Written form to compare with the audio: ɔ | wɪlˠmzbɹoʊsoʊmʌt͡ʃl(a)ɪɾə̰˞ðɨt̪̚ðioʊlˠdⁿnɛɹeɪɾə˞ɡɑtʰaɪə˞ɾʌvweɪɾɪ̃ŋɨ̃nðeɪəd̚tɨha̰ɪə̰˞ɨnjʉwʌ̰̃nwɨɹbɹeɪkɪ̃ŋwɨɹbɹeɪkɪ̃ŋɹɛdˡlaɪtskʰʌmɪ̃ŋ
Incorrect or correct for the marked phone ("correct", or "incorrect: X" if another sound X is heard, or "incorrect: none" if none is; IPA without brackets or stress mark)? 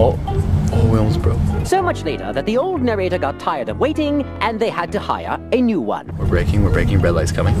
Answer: incorrect: e